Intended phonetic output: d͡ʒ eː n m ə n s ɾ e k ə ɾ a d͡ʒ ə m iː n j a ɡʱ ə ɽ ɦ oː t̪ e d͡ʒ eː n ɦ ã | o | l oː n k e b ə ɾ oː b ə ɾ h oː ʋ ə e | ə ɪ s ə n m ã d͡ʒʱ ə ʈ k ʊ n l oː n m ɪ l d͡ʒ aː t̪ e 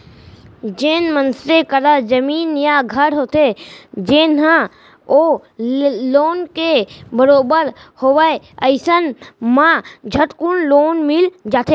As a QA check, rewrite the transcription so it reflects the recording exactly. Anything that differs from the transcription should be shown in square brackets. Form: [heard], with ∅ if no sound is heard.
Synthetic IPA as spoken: d͡ʒ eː n m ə n s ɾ e k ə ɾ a d͡ʒ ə m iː n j a ɡʱ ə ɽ ɦ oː t̪ e d͡ʒ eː n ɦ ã | o | l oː n k e b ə ɾ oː b ə ɾ h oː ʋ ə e | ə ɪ s ə n m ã d͡ʒʱ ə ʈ k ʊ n l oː n m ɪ l d͡ʒ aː t̪ e